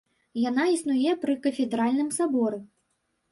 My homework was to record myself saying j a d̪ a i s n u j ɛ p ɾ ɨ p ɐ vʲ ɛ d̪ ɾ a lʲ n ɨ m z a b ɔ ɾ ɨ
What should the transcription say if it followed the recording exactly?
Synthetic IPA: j a n̪ a i s n u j ɛ p ɾ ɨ k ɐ fʲ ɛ d̪ ɾ a lʲ n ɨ m s a b ɔ ɾ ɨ